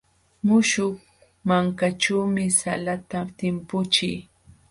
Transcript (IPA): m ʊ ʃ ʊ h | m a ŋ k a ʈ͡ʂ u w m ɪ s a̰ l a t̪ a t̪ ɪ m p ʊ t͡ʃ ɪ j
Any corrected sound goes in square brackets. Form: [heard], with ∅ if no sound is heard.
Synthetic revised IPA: m ʊ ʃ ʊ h | m a ŋ k a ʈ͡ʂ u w m ɪ s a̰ l a t̪ a t̪ ɪ m p ʊ t͡ʃ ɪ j

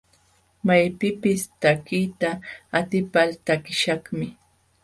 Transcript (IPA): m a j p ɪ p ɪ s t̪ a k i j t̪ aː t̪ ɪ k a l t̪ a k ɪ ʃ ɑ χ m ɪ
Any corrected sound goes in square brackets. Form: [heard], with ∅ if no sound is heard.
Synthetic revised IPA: m a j p ɪ p ɪ s t̪ a k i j t̪ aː t̪ ɪ [p] a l t̪ a k ɪ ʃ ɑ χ m ɪ

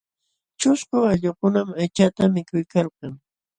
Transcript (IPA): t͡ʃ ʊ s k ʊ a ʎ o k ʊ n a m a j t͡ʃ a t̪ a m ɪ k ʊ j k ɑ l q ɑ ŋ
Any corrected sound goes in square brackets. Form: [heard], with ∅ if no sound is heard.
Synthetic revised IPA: t͡ʃ ʊ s k ʊ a ʎ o k ʊ n a m a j t͡ʃ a t̪ a m ɪ k ʊ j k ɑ l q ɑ ŋ

